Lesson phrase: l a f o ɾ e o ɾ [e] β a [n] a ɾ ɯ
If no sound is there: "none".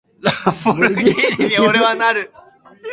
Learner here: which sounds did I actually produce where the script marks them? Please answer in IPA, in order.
e, n

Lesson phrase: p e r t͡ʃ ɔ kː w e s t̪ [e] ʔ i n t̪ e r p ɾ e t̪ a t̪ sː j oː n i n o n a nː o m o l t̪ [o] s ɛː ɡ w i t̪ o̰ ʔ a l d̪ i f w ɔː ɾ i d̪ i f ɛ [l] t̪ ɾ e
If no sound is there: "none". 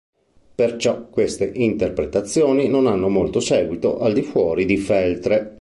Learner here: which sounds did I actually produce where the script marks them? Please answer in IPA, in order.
e, o, l

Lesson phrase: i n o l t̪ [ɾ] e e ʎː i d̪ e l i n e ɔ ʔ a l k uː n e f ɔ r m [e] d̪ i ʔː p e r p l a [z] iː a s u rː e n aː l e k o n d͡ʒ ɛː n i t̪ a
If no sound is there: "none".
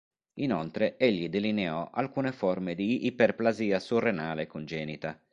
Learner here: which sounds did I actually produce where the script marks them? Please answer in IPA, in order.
ɾ, e, z

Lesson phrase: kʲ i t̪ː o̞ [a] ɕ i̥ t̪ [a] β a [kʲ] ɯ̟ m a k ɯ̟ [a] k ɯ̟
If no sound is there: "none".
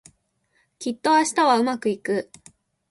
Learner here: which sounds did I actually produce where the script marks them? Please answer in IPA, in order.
a, a, none, i

